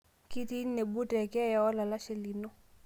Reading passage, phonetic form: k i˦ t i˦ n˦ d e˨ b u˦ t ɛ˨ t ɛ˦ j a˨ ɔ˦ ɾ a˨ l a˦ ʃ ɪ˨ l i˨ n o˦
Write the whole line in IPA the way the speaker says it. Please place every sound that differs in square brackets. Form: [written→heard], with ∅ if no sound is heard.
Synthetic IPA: k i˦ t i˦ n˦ [d→n] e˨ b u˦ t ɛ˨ [t→k] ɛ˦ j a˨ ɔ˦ [ɾ→l] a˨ l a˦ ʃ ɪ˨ l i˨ n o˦